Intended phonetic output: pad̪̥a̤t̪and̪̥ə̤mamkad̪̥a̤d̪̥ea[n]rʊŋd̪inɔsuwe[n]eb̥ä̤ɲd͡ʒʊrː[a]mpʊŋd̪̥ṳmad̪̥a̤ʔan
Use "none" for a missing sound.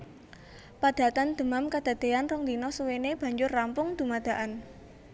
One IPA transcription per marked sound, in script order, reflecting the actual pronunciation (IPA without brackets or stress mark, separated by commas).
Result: n, n, a